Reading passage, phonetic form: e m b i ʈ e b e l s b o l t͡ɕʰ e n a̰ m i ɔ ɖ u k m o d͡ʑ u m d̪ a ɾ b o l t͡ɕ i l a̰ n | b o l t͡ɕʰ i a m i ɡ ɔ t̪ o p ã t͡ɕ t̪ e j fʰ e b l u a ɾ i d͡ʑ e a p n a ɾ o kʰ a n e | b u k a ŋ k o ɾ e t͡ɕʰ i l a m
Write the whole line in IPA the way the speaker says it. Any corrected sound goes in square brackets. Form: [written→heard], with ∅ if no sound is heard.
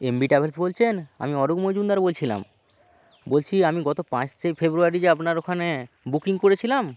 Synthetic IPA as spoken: e m b i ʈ [e→a] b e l s b o l t͡ɕʰ e n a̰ m i ɔ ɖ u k m o d͡ʑ u [m→n] d̪ a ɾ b o l [t͡ɕ→t͡ɕʰ] i l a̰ [n→m] | b o l t͡ɕʰ i a m i ɡ ɔ t̪ o p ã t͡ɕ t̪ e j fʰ e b [l→ɾ] u a ɾ i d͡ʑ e a p n a ɾ o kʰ a n e | b u k [a→i] ŋ k o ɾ e t͡ɕʰ i l a m